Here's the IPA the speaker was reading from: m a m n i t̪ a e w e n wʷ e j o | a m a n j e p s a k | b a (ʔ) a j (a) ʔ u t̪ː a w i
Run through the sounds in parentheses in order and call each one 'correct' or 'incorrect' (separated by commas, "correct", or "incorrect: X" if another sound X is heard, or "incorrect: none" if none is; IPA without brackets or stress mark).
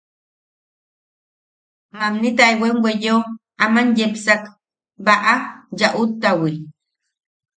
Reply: correct, correct